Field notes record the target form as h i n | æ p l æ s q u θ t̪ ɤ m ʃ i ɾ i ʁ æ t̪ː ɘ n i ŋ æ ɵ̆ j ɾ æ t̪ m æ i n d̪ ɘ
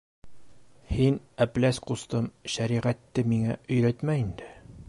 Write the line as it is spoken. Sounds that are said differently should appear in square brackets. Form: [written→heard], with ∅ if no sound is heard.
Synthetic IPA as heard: h i n | æ p l æ s q u [θ→s] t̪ ɤ m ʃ [i→æ] ɾ i ʁ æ t̪ː ɘ [n→m] i ŋ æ ɵ̆ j ɾ æ t̪ m æ i n d̪ ɘ